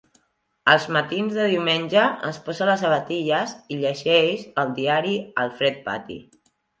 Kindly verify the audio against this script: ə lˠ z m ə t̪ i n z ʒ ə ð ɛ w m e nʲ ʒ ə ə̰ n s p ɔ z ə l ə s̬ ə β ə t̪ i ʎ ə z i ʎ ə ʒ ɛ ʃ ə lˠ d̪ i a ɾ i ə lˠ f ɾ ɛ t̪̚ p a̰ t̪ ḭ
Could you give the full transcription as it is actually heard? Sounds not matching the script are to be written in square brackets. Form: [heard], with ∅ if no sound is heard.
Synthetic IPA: ə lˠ z m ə t̪ i n z [ð] ə ð [i] w m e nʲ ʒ ə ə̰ n s p ɔ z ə l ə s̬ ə β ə t̪ i ʎ ə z i ʎ ə ʒ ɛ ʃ ə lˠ d̪ i a ɾ i ə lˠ f ɾ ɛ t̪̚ p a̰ t̪ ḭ